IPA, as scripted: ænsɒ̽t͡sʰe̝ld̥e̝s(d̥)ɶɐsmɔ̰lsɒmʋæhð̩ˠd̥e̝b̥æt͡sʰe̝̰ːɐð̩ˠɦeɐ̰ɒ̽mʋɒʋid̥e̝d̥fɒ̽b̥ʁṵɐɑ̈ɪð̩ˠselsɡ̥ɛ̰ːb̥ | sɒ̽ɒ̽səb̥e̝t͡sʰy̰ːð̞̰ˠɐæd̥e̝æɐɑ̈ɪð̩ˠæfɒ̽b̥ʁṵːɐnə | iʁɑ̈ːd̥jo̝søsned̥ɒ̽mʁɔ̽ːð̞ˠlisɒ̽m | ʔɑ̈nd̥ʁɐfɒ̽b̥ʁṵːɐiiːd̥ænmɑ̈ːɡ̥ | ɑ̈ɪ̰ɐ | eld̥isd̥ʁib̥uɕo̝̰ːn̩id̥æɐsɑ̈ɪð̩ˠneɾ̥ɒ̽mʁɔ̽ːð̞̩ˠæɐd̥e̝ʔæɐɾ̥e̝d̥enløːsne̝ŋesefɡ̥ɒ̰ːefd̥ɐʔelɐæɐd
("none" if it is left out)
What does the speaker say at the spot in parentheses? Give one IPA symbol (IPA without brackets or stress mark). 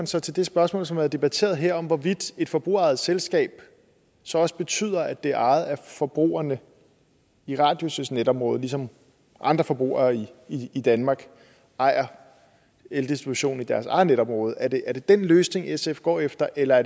b̥